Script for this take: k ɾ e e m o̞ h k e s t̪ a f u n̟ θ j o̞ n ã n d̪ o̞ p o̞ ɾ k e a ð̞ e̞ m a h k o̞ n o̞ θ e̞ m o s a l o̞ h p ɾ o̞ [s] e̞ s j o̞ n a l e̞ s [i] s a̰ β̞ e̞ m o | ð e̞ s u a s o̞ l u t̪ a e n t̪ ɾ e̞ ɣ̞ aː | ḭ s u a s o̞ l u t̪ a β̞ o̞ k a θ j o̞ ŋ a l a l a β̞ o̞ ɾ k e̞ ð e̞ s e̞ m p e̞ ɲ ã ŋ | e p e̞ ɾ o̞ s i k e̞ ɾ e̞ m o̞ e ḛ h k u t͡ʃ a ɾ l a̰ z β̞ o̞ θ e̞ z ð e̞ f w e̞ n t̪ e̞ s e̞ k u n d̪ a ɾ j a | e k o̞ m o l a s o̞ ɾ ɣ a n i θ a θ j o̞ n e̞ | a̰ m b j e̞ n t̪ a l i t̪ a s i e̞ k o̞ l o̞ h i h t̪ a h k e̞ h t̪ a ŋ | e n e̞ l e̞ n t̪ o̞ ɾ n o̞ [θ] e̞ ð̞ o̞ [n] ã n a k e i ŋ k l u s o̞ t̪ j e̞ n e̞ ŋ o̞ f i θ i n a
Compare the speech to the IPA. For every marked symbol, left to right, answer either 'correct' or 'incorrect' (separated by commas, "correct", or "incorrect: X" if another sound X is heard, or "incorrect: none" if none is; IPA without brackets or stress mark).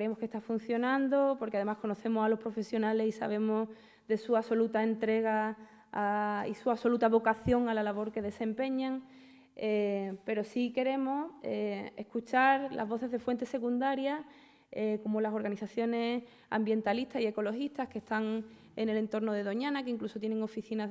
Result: incorrect: f, correct, incorrect: ð, incorrect: ɲ